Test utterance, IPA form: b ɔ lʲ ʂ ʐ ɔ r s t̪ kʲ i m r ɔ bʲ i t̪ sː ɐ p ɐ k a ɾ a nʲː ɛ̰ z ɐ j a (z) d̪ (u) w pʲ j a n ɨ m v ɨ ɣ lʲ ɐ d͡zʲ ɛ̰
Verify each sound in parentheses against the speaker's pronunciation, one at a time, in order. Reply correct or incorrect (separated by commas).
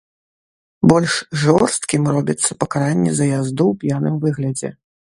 correct, correct